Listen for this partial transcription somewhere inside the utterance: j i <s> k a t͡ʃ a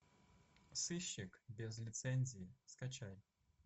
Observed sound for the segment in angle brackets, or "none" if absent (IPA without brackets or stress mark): s